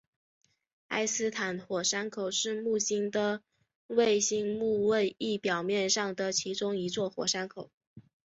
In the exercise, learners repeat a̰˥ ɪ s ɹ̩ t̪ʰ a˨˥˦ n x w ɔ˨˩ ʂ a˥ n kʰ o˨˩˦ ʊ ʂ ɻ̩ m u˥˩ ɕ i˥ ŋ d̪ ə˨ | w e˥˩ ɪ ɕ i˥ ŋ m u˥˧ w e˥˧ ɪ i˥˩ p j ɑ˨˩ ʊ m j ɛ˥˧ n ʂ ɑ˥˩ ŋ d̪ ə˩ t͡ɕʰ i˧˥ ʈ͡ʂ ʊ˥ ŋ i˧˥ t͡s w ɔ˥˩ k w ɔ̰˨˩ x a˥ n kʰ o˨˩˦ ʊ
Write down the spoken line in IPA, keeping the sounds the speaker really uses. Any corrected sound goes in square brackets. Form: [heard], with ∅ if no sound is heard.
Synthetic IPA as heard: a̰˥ ɪ s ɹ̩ t̪ʰ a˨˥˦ n x w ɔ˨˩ ʂ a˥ n kʰ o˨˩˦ ʊ ʂ ɻ̩ m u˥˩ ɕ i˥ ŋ d̪ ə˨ | w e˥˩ ɪ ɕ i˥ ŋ m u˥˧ w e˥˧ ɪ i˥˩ p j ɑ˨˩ ʊ m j ɛ˥˧ n ʂ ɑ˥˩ ŋ d̪ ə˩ t͡ɕʰ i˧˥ ʈ͡ʂ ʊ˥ ŋ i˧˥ t͡s w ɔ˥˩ [x] w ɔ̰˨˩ [ʂ] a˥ n kʰ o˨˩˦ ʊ